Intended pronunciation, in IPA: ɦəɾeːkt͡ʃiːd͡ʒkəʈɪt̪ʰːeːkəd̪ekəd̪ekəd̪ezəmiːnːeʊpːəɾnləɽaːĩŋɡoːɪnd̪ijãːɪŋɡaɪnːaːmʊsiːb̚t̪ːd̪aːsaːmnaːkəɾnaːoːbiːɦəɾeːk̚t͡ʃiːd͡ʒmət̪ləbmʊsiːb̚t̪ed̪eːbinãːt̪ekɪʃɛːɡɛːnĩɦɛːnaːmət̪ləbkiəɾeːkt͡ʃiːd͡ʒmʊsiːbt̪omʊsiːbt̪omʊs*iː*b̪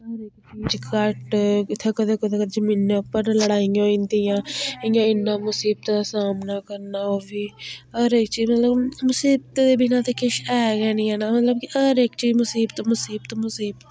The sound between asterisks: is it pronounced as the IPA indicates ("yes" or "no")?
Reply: yes